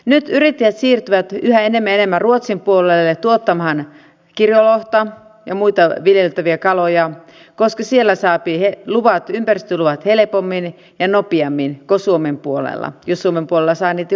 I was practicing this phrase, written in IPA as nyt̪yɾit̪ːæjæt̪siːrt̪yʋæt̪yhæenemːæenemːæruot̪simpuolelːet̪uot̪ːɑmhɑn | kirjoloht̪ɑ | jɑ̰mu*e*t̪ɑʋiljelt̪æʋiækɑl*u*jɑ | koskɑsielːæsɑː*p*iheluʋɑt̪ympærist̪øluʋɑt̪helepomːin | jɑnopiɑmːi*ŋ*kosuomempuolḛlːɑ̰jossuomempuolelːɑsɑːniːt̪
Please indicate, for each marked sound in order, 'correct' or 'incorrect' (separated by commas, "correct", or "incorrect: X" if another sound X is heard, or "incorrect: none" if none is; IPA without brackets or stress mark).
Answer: incorrect: i, incorrect: o, correct, incorrect: n